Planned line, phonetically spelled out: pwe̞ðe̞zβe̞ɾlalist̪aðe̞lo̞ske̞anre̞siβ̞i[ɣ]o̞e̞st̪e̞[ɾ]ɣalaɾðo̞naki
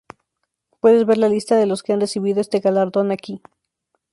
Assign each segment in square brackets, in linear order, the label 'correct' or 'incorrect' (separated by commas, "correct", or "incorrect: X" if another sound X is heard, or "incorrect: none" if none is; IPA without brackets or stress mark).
incorrect: ð, incorrect: none